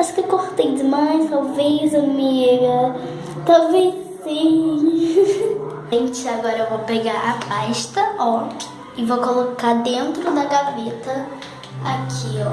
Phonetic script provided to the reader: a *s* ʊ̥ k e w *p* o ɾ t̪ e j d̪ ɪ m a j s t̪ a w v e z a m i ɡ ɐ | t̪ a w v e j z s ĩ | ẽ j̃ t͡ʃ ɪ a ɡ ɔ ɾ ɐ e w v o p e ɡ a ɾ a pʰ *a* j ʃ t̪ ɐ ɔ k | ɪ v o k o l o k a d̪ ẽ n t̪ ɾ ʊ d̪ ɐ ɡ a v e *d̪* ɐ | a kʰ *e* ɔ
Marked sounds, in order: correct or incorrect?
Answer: incorrect, incorrect, correct, incorrect, incorrect

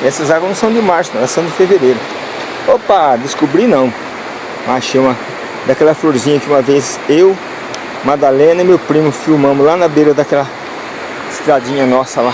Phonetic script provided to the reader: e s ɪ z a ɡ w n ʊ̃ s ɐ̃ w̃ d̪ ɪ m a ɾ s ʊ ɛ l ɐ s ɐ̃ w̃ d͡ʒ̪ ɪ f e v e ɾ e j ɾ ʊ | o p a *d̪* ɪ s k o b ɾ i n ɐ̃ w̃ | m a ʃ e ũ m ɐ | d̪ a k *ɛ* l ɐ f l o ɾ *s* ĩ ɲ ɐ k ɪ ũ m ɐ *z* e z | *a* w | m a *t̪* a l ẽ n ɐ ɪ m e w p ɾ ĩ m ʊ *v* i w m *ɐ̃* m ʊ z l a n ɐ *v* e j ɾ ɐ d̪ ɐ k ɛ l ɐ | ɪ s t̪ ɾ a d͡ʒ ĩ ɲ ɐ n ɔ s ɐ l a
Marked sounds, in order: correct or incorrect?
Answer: correct, correct, incorrect, incorrect, incorrect, incorrect, incorrect, correct, incorrect

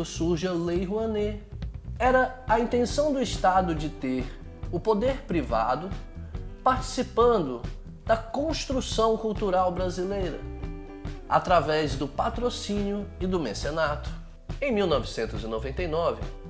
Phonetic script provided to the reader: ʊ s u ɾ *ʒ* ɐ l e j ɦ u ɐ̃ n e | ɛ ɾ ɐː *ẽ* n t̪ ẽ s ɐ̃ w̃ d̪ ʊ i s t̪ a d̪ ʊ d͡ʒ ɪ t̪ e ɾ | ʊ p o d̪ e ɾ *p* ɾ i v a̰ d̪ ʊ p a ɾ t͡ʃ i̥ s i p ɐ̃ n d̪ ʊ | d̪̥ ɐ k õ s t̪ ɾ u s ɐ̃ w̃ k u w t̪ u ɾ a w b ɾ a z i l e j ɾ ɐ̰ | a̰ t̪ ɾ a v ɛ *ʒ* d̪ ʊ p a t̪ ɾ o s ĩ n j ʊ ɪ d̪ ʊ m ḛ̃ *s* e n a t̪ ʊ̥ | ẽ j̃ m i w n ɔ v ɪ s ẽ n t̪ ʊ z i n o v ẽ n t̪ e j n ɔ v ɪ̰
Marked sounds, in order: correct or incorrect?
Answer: correct, incorrect, correct, incorrect, correct

